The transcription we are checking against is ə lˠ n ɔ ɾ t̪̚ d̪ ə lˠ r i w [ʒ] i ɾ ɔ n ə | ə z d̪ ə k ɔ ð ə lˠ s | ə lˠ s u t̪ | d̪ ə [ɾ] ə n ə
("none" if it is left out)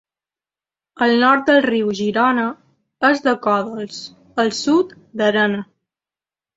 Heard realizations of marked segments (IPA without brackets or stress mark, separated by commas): ʒ, ɾ